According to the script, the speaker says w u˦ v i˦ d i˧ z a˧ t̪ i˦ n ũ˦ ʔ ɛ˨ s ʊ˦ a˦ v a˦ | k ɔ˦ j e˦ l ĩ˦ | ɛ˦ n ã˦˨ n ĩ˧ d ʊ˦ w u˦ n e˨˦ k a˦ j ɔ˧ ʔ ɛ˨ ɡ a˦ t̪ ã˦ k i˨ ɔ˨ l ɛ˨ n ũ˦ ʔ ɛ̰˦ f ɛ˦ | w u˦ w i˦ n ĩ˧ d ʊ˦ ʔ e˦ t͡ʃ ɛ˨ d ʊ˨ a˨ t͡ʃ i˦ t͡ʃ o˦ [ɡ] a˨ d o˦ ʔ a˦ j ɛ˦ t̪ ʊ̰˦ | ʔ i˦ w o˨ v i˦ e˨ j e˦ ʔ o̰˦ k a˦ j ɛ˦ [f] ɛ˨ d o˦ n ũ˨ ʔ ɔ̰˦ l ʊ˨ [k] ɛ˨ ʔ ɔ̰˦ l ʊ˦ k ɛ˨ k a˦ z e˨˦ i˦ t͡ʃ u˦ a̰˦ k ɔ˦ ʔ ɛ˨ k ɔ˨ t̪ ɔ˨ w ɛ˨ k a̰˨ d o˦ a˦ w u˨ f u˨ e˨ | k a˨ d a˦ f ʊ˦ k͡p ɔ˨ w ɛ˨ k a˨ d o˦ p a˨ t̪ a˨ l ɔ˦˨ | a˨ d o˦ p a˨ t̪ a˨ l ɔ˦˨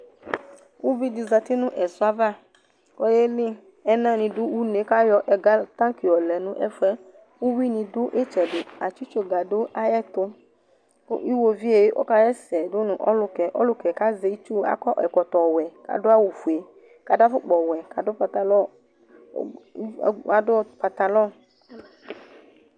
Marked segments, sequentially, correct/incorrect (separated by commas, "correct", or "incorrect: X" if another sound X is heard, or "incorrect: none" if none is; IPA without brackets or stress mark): correct, incorrect: s, correct